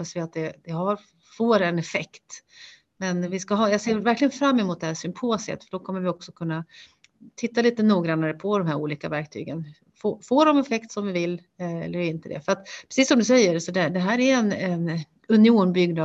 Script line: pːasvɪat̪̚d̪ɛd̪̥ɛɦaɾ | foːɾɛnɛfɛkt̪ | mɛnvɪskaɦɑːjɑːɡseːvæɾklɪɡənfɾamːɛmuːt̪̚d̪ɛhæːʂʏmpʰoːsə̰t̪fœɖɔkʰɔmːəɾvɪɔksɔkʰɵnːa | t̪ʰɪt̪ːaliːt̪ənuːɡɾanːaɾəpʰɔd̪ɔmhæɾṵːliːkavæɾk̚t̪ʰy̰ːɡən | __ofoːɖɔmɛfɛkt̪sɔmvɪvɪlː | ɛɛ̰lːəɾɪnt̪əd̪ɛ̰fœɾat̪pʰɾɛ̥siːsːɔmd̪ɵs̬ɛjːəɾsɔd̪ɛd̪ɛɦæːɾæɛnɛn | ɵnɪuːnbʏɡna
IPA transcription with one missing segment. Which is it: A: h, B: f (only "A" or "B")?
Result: B